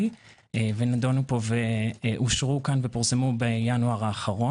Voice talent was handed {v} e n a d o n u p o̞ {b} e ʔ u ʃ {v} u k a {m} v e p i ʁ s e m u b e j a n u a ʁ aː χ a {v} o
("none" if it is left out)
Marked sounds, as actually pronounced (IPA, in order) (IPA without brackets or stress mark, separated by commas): v, v, ʁ, n, ʁ